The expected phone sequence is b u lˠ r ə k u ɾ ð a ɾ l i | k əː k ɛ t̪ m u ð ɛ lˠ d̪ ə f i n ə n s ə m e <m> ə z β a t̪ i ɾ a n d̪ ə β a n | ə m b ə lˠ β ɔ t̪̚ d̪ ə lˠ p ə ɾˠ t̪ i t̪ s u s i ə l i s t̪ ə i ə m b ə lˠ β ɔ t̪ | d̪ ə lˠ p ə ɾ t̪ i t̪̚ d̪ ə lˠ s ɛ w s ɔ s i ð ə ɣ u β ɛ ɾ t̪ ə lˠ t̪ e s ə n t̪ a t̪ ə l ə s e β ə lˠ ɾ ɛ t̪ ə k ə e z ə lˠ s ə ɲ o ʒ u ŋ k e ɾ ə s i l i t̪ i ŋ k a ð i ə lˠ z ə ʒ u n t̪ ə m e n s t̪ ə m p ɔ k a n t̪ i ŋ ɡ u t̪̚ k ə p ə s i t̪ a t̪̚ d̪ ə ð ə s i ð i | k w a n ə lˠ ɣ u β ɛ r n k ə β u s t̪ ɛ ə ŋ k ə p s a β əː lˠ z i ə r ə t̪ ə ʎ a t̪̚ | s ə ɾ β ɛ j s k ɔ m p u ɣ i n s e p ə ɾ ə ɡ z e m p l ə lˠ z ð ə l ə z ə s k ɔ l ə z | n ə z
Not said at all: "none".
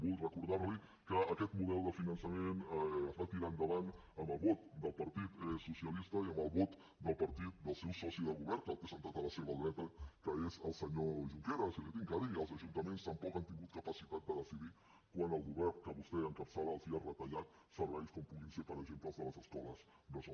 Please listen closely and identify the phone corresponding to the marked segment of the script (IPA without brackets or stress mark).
n